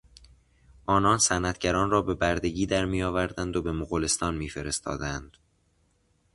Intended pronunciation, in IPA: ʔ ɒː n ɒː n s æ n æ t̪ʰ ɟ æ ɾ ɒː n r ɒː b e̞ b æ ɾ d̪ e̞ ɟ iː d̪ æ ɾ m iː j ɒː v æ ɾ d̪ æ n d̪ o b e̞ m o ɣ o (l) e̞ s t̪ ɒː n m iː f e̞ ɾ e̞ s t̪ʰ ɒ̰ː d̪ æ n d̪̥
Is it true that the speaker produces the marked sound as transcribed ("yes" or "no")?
yes